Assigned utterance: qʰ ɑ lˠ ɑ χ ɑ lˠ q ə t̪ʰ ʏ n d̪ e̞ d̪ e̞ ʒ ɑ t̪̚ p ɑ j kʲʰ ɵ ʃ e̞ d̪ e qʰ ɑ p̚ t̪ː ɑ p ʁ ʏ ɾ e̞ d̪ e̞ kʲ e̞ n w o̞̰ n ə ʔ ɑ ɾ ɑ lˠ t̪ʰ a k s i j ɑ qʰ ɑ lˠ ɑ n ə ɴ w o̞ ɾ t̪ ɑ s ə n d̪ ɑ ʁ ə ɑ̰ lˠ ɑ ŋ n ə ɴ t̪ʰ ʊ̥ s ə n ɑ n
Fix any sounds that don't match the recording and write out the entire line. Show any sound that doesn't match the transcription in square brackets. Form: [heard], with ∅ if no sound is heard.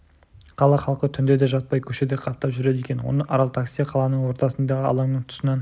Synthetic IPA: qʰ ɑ lˠ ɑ χ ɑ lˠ q ə t̪ʰ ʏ n d̪ e̞ d̪ e̞ ʒ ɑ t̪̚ p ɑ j kʲʰ ɵ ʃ e̞ d̪ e qʰ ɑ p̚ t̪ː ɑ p [ʒ] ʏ ɾ e̞ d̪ e̞ kʲ e̞ n w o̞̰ n ə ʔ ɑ ɾ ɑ lˠ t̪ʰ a k s i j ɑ qʰ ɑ lˠ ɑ n ə ɴ w o̞ ɾ t̪ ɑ s ə n d̪ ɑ ʁ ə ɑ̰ lˠ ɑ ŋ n ə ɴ t̪ʰ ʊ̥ s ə n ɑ n